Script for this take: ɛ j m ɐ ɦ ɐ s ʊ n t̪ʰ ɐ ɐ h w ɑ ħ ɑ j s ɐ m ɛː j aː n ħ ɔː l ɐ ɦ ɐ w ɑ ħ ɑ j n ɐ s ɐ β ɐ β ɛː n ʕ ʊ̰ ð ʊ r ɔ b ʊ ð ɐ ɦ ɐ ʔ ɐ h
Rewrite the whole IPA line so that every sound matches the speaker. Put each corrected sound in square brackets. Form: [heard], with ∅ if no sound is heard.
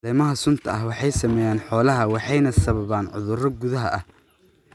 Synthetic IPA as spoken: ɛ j m ɐ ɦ ɐ s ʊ n t̪ʰ ɐ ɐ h w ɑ ħ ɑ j s ɐ m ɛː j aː n ħ ɔː l ɐ ɦ ɐ w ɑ ħ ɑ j n ɐ s ɐ β ɐ β [aː] n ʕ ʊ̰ ð ʊ r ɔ [ɡ] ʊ ð ɐ ɦ ɐ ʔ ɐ h

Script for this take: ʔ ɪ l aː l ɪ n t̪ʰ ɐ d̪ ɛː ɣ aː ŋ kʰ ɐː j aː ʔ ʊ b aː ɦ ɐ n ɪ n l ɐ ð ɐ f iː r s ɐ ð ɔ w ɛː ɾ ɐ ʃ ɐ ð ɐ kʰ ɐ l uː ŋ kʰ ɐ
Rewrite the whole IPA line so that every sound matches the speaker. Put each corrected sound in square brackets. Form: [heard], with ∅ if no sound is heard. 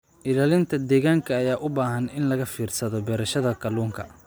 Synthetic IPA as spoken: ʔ ɪ l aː l ɪ n t̪ʰ ɐ d̪ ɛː ɣ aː ŋ kʰ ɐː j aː ʔ ʊ b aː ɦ ɐ n ɪ n l ɐ [ɣ] ɐ f iː r s ɐ ð ɔ [b] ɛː ɾ ɐ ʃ ɐ ð ɐ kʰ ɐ l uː ŋ kʰ ɐ

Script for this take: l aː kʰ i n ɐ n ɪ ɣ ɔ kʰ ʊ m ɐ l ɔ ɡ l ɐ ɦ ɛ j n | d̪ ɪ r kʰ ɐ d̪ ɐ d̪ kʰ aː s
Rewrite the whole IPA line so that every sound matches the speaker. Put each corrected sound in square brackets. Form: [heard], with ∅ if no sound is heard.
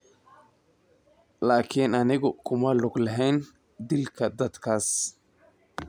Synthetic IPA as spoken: l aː kʰ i n ɐ n ɪ ɣ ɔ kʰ ʊ m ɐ l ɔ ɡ l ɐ ɦ ɛ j n | d̪ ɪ [l] kʰ ɐ d̪ ɐ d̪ kʰ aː s

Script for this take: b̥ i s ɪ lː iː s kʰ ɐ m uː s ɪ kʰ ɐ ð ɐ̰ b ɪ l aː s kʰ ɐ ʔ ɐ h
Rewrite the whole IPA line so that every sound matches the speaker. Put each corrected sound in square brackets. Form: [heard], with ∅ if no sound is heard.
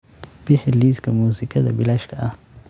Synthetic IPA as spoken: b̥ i [ħ] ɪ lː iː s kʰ ɐ m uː s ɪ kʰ ɐ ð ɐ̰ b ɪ l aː [ʃ] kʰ ɐ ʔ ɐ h

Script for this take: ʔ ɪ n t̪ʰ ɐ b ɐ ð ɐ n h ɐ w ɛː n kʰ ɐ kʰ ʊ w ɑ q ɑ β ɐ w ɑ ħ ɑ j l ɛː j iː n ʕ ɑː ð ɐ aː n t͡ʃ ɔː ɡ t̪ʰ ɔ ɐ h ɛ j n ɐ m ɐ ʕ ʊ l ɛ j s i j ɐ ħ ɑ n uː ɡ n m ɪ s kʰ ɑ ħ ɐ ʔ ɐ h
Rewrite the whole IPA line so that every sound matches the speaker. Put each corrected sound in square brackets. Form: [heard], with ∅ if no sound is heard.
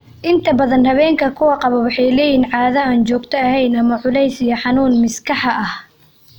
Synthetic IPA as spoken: ʔ ɪ n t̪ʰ ɐ b ɐ ð ɐ n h ɐ [β] ɛː [ŋ] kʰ ɐ kʰ ʊ w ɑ q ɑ β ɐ w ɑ ħ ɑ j l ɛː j iː n ʕ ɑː ð ɐ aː n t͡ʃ ɔː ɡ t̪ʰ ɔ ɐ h ɛ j n ɐ m ɐ ʕ ʊ l ɛ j s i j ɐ ħ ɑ n uː [∅] n m ɪ s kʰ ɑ ħ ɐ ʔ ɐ h

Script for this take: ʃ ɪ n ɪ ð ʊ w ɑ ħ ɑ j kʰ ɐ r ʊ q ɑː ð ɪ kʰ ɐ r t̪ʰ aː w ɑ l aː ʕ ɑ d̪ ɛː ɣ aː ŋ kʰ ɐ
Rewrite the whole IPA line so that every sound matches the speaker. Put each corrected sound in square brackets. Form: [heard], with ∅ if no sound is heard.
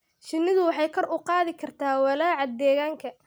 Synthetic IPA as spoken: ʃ ɪ n ɪ ð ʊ w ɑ ħ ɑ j kʰ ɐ r ʊ q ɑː ð ɪ kʰ ɐ r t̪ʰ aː w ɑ l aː ʕ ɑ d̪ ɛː ɣ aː ŋ kʰ ɐ

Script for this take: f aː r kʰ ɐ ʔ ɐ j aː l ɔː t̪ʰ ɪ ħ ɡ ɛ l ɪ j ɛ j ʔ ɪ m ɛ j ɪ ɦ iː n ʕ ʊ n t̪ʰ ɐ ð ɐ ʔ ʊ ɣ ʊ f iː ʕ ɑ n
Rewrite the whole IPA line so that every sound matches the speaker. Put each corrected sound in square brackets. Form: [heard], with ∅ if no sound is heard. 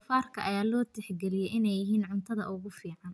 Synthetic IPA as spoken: f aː r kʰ ɐ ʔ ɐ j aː l ɔː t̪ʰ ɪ ħ ɡ ɛ l ɪ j ɛ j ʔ ɪ [n] ɛ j ɪ ɦ iː n ʕ ʊ n t̪ʰ ɐ ð ɐ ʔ ʊ ɣ ʊ f iː ʕ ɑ n

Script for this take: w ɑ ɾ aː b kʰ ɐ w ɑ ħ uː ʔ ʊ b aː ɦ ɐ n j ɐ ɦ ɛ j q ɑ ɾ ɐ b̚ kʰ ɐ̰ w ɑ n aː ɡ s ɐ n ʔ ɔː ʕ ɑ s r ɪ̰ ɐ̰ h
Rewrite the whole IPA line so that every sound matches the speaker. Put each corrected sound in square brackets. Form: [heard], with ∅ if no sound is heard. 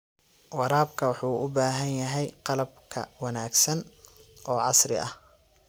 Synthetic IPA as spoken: w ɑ ɾ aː b kʰ ɐ w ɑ ħ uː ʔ ʊ b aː ɦ ɐ n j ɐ ɦ ɛ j q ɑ [l] ɐ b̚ kʰ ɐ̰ w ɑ n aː ɡ s ɐ n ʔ ɔː ʕ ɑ s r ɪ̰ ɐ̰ h

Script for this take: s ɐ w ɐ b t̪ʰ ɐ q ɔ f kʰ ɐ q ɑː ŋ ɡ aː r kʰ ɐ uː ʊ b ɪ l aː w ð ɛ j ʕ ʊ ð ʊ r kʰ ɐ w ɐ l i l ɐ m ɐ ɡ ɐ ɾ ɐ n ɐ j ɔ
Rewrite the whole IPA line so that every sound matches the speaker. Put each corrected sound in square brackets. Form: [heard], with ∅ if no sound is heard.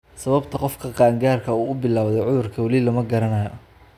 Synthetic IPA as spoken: s ɐ [β] ɐ b t̪ʰ ɐ q ɔ f kʰ ɐ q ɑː ŋ ɡ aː r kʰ ɐ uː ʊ b ɪ l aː w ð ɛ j ʕ ʊ ð ʊ r kʰ ɐ w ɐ l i l ɐ m ɐ ɡ ɐ ɾ ɐ n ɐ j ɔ

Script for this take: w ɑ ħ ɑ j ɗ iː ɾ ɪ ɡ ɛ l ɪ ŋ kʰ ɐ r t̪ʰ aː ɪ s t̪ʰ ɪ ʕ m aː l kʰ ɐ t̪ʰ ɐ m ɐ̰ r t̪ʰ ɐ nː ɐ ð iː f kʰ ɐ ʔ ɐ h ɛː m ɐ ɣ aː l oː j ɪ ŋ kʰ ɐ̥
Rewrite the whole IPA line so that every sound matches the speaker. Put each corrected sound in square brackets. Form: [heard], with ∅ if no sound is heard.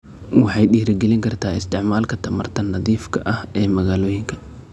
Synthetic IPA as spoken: w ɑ ħ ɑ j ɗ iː ɾ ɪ ɡ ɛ l ɪ ŋ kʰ ɐ r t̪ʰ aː ɪ s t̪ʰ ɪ ʕ m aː l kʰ ɐ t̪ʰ ɐ m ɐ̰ r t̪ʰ ɐ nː ɐ ð iː f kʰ ɐ ʔ ɐ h ɛː m ɐ ɣ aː l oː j ɪ ŋ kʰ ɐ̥

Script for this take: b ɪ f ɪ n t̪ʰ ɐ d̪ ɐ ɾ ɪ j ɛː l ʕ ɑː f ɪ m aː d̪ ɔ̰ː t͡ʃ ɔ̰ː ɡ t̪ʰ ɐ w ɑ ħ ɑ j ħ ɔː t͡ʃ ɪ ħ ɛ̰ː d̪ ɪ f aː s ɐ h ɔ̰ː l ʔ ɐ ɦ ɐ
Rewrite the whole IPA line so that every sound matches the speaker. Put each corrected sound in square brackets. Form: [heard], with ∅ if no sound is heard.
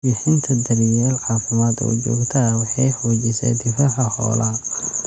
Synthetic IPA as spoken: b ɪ [ħ] ɪ n t̪ʰ ɐ d̪ ɐ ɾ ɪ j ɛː l ʕ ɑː f ɪ m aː d̪ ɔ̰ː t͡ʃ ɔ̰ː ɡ t̪ʰ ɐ w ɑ ħ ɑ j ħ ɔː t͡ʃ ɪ [s] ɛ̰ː d̪ ɪ f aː [ħ] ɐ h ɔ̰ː l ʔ ɐ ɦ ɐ

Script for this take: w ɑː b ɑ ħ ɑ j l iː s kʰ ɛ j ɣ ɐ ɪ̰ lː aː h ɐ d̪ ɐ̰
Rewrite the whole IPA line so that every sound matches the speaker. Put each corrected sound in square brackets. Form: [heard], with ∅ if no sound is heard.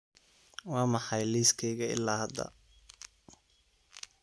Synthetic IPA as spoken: w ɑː [m] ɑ ħ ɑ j l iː s kʰ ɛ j ɣ ɐ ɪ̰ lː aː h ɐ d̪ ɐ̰

